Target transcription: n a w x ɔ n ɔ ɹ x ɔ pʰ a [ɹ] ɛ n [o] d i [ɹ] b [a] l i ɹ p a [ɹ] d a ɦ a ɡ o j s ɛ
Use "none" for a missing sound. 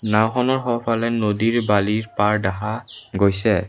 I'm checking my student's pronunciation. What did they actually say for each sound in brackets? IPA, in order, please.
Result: l, o, ɹ, a, ɹ

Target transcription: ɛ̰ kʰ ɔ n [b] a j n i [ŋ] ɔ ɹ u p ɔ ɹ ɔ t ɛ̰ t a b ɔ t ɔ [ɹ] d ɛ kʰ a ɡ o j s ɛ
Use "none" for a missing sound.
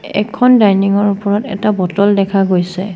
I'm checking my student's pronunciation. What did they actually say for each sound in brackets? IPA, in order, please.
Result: d, ŋ, l

